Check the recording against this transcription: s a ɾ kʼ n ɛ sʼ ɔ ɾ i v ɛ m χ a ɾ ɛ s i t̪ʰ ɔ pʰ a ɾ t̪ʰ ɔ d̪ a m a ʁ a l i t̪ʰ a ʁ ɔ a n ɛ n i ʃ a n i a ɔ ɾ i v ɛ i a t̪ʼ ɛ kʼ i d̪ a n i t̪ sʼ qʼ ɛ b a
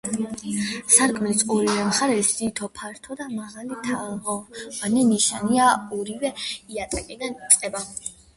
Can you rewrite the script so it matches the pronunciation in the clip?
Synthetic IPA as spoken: s a ɾ kʼ m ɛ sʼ ɔ ɾ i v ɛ m χ a ɾ ɛ s i t̪ʰ ɔ pʰ a ɾ t̪ʰ ɔ d̪ a m a ʁ a l i t̪ʰ a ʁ ɔ a n ɛ n i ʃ a n i a ɔ ɾ i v ɛ i a t̪ʼ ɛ kʼ i d̪ a n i t̪ sʼ qʼ ɛ b a